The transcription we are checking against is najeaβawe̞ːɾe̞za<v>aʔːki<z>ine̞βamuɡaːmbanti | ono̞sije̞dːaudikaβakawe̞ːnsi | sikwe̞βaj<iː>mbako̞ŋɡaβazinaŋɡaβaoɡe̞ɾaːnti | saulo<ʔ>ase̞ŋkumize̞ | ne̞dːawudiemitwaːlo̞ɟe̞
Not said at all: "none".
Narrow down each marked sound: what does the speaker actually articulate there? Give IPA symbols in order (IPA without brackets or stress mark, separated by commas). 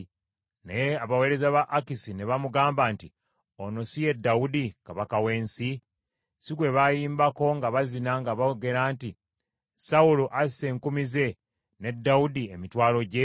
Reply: β, s, iː, ʔ